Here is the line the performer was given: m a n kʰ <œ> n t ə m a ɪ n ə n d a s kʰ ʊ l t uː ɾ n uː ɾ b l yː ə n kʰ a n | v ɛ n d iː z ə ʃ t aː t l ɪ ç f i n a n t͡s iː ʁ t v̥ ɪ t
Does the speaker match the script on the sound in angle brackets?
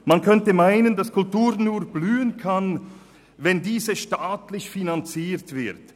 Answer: yes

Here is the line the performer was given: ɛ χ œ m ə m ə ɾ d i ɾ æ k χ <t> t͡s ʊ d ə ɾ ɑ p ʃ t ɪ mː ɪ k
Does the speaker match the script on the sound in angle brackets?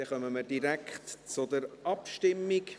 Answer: yes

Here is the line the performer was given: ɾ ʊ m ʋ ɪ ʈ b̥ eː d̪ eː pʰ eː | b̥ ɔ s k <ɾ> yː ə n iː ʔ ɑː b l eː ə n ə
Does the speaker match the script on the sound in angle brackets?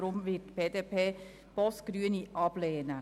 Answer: yes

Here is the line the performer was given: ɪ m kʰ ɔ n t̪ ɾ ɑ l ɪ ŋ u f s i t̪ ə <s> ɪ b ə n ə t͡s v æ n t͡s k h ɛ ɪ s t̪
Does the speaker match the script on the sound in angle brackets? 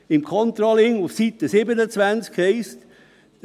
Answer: yes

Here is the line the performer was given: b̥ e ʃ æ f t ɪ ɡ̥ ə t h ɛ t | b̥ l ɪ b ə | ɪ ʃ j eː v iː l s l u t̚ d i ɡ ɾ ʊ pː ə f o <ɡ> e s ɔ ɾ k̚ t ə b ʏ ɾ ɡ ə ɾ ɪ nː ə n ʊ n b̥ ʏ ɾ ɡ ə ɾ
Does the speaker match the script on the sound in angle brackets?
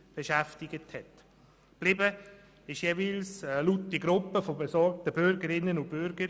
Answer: no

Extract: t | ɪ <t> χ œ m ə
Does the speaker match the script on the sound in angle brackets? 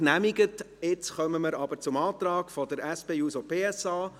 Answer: no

